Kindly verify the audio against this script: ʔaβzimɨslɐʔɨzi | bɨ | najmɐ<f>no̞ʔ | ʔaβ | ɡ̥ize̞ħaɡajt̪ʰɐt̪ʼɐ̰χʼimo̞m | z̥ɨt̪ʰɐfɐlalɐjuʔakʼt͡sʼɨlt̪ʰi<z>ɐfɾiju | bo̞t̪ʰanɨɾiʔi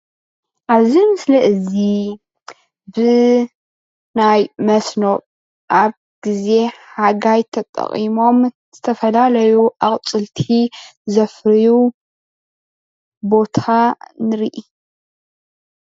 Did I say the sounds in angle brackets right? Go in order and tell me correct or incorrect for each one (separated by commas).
incorrect, correct